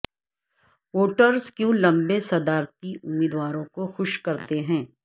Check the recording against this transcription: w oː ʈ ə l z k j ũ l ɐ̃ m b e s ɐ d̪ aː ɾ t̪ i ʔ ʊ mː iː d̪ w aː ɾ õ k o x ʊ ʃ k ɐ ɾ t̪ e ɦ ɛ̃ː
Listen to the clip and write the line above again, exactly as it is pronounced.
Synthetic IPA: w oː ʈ ə ɾ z k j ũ l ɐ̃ m b e s ɐ d̪ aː ɾ t̪ i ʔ ʊ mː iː d̪ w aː ɾ õ k o x ʊ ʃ k ɐ ɾ t̪ e ɦ ɛ̃ː